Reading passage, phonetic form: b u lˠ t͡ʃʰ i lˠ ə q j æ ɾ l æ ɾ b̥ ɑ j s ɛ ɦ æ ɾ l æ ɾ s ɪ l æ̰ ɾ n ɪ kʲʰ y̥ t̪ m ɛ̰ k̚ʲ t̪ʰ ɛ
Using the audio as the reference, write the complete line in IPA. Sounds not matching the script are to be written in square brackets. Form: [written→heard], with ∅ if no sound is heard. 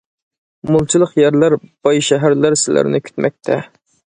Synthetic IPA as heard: [b→m] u lˠ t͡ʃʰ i lˠ ə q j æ ɾ l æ ɾ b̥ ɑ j [s→ʃ] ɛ ɦ æ ɾ l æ ɾ s ɪ l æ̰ ɾ n ɪ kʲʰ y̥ t̪ m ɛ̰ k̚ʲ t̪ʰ ɛ